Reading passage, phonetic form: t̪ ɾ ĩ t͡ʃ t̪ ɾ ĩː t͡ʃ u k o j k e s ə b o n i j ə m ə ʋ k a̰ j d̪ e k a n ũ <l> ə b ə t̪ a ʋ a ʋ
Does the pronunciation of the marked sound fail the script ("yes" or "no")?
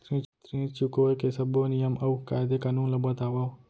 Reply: no